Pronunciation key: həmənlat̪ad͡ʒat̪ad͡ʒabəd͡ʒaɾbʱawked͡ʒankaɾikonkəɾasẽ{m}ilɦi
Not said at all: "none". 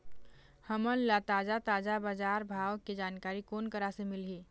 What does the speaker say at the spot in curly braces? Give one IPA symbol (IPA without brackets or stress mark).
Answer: m